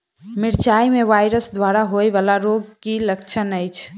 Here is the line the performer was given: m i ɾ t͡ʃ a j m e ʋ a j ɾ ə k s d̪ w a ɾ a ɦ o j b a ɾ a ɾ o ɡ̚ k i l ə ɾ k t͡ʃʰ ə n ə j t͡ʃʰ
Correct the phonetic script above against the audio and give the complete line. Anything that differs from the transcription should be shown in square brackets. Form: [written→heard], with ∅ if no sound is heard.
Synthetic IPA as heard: m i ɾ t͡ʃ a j m e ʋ a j ɾ ə [k→∅] s d̪ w a ɾ a ɦ o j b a [ɾ→l] a ɾ o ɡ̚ k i l ə [ɾ→∅] k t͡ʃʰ ə n ə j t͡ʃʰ